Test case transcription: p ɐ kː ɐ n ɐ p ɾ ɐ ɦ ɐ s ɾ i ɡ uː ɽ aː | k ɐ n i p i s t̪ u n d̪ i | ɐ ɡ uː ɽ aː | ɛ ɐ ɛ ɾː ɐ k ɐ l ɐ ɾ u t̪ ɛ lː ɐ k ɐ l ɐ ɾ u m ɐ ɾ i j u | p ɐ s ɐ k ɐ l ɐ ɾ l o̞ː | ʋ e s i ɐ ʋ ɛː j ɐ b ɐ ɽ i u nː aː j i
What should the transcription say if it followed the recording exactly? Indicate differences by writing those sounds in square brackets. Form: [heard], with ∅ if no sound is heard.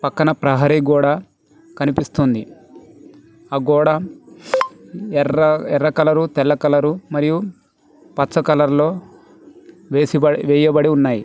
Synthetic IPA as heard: p ɐ kː ɐ n ɐ p ɾ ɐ ɦ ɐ [∅] ɾ i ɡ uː ɽ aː | k ɐ n i p i s t̪ u n d̪ i | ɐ ɡ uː ɽ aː | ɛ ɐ ɛ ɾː ɐ k ɐ l ɐ ɾ u t̪ ɛ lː ɐ k ɐ l ɐ ɾ u m ɐ ɾ i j u | p ɐ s ɐ k ɐ l ɐ ɾ l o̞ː | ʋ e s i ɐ ʋ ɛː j ɐ b ɐ ɽ i u nː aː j i